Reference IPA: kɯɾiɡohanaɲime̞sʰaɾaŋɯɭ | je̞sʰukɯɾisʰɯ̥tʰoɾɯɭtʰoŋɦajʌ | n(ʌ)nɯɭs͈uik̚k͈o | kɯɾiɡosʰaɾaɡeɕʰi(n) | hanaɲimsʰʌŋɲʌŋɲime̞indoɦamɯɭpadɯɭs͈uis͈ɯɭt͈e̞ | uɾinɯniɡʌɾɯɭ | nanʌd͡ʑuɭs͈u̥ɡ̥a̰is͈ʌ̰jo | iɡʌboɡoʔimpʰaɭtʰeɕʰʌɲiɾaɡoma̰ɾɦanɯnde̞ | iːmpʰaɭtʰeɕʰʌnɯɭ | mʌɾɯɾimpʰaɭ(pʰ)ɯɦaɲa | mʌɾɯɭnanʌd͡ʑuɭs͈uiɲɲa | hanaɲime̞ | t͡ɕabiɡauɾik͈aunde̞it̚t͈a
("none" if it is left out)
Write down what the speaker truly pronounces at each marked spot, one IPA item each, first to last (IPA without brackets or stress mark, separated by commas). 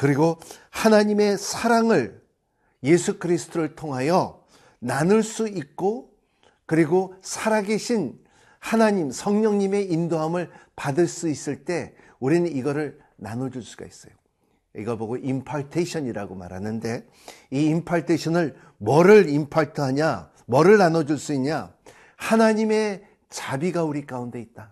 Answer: a, n, tʰ